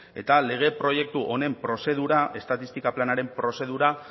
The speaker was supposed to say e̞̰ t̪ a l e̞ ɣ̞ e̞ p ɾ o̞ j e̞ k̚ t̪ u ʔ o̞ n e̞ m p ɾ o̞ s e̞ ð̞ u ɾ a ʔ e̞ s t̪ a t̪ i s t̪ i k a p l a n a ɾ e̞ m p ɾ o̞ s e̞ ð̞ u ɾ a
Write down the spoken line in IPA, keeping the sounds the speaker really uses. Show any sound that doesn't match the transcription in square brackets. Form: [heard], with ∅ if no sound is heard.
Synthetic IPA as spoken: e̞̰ t̪ a l e̞ ɣ̞ e̞ p ɾ o̞ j e̞ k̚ t̪ u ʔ o̞ n e̞ m p ɾ o̞ s e̞ ð̞ u ɾ a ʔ e̞ s t̪ a t̪ i s t̪ i k a p l a n a ɾ e̞ m p ɾ o̞ s e̞ ð̞ u ɾ a